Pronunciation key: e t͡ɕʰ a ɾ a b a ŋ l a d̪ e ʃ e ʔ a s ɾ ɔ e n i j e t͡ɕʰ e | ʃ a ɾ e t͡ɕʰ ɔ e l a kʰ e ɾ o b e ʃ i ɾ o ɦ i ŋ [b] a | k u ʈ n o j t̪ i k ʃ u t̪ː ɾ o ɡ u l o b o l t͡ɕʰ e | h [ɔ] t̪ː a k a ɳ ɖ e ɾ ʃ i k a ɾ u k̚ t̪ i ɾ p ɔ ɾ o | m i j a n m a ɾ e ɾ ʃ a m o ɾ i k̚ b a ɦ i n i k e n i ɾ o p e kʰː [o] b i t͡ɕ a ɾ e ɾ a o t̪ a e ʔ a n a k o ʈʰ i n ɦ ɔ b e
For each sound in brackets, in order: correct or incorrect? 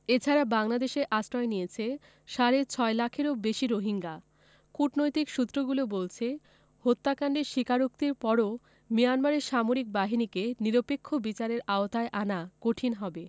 incorrect, incorrect, correct

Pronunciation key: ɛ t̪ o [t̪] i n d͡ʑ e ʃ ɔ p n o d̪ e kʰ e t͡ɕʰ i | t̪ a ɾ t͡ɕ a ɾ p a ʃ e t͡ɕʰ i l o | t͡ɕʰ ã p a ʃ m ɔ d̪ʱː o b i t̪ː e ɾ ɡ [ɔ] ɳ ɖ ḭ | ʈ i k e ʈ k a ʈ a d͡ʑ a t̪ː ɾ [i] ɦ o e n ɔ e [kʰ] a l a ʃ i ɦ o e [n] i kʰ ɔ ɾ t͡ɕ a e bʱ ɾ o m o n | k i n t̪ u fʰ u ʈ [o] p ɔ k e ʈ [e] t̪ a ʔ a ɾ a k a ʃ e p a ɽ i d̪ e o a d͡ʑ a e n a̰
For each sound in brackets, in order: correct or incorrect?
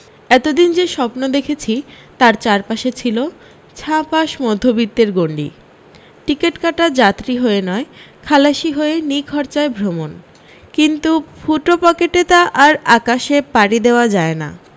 incorrect, incorrect, correct, correct, correct, correct, correct

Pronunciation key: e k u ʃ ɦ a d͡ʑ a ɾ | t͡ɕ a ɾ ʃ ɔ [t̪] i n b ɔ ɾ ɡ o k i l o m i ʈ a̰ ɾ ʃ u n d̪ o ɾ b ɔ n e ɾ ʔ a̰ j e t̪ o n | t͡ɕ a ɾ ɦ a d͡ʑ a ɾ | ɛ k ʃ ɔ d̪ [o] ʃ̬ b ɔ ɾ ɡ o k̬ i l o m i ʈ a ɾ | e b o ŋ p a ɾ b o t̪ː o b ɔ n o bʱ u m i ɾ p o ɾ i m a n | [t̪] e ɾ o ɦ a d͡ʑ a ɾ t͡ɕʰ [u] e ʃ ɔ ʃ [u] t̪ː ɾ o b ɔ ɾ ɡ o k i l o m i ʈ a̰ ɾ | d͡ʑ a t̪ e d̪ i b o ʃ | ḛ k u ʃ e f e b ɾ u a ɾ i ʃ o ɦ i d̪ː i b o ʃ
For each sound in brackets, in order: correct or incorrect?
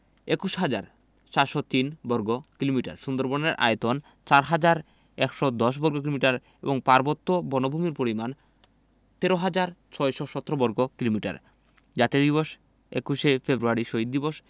correct, incorrect, correct, incorrect, incorrect

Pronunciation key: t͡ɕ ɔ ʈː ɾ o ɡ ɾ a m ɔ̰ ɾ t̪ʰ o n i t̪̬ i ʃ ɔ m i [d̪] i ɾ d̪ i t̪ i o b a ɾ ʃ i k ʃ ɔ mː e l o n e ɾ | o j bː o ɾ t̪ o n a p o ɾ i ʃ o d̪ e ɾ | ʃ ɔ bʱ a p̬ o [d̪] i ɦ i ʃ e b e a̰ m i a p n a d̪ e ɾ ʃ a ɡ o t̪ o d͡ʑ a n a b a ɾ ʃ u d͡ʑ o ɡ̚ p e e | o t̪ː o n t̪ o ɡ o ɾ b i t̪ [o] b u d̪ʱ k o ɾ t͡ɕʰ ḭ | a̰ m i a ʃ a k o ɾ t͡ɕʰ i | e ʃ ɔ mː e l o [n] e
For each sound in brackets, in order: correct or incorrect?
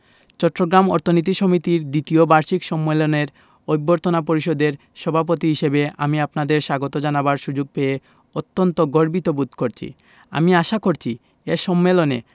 incorrect, incorrect, correct, correct

